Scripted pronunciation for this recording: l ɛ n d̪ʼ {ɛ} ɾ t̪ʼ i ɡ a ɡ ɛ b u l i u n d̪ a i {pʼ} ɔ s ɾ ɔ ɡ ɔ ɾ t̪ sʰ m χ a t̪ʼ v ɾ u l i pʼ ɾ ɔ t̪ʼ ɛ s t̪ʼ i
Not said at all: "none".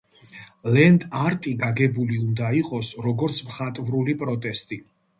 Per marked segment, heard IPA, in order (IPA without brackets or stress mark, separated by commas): a, qʼ